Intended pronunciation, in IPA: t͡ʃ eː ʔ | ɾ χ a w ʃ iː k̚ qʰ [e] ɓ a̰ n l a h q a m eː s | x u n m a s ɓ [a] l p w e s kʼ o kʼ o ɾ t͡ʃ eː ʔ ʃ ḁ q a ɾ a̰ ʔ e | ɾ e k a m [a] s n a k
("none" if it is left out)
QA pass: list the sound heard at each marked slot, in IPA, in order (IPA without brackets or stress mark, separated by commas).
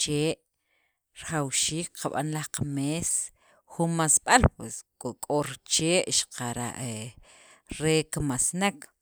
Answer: a, a, a